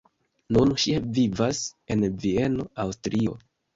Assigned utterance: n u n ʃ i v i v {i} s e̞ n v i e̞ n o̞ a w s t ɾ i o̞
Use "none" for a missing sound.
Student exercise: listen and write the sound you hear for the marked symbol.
a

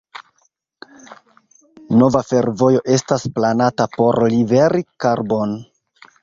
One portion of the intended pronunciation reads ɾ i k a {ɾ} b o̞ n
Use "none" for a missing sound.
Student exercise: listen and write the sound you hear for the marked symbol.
ɾ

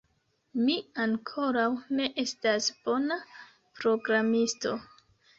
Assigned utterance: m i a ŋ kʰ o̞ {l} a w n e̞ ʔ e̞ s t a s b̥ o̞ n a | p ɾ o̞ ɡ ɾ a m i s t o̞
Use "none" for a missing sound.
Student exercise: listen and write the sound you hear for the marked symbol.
ɾ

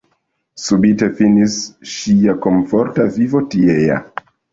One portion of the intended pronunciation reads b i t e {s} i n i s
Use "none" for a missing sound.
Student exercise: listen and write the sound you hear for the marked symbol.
f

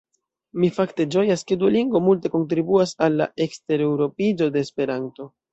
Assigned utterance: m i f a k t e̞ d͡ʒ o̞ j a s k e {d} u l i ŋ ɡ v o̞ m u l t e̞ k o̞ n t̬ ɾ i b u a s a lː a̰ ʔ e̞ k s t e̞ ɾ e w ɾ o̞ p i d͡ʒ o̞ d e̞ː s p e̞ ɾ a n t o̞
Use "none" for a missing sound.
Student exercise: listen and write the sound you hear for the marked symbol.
d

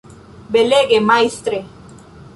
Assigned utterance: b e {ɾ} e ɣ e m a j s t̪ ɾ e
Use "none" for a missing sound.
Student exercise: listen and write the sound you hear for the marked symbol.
l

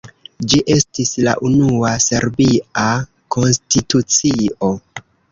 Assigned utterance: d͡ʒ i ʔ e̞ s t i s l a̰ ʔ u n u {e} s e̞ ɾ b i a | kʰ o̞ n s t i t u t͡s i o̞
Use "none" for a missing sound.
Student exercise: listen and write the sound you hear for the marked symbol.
a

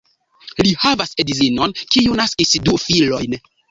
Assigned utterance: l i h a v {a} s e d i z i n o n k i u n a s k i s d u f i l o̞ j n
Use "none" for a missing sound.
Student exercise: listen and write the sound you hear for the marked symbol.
a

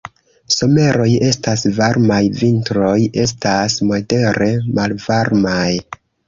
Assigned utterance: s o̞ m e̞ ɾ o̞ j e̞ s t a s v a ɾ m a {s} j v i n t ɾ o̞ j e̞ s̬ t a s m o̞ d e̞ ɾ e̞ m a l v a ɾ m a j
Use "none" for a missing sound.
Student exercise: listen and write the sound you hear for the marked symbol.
none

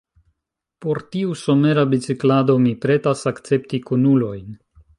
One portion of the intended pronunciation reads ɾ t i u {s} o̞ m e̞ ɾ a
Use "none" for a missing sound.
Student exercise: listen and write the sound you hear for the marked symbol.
s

